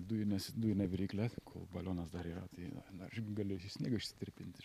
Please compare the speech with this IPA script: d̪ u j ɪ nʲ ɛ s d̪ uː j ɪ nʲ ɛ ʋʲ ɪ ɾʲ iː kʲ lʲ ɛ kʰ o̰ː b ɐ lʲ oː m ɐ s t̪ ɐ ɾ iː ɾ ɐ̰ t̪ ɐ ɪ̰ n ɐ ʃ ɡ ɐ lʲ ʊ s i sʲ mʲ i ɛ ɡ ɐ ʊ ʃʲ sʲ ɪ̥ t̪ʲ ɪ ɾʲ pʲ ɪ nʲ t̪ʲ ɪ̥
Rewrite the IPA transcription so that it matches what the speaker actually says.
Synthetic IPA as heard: d̪ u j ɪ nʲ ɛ s d̪ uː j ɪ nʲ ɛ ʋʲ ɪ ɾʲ iː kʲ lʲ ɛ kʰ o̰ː b ɐ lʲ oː n ɐ s d̪ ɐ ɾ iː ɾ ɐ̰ t̪ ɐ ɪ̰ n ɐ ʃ ɡ ɐ lʲ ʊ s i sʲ nʲ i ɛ ɡ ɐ ʊ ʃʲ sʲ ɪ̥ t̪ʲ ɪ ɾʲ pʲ ɪ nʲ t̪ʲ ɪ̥